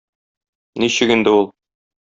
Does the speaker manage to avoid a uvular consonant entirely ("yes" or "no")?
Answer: yes